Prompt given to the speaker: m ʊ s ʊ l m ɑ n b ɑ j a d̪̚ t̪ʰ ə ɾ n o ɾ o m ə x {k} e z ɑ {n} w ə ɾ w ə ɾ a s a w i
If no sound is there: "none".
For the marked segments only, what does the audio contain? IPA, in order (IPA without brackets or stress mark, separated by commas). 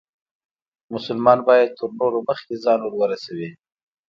k, n